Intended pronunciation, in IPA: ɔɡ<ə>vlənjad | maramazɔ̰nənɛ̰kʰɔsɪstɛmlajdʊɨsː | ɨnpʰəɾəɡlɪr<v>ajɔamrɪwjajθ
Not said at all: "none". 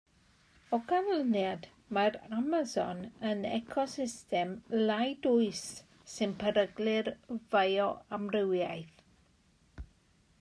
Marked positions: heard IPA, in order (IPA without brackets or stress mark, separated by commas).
a, v